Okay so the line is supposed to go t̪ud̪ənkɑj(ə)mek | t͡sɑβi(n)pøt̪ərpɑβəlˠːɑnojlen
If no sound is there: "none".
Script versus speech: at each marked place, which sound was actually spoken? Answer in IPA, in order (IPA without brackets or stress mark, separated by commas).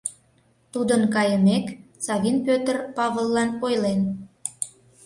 ə, n